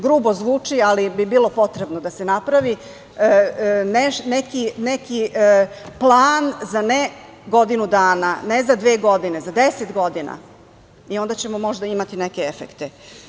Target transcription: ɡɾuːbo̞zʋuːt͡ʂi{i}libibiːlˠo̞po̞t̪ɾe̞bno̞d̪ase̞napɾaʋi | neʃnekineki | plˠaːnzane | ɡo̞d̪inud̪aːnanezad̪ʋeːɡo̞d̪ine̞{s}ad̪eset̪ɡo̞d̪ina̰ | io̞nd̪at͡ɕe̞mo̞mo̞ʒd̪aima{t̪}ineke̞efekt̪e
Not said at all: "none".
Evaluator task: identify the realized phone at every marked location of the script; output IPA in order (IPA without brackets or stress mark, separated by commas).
a, z, t̪